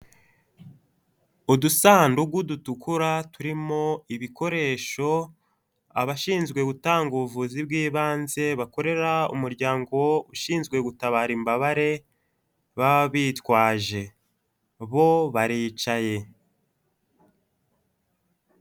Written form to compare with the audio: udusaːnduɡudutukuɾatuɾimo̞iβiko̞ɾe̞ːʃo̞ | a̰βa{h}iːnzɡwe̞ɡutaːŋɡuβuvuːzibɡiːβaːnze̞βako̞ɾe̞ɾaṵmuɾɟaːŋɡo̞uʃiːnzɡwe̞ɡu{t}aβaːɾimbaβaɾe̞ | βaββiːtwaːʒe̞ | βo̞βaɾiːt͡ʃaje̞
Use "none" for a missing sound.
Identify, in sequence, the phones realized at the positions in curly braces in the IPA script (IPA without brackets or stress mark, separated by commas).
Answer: ʃ, t